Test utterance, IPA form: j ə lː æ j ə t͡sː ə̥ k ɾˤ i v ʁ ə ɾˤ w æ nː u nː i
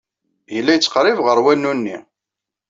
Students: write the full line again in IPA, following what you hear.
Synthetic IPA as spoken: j ə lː æ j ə t͡sː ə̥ q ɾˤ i v ʁ ə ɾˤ w æ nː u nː i